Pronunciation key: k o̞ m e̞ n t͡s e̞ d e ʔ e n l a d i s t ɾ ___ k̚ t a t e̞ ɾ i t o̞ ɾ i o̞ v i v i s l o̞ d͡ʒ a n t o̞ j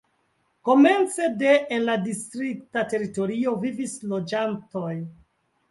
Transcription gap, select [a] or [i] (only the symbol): i